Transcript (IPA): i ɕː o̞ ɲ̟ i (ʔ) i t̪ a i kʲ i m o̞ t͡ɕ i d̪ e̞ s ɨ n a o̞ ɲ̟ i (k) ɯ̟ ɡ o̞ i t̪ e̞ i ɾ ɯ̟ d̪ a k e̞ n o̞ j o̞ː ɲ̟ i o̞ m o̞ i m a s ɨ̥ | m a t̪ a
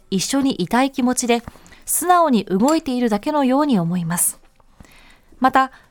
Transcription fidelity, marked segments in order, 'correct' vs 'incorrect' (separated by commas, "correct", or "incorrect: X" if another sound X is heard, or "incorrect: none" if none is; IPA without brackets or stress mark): correct, incorrect: ʔ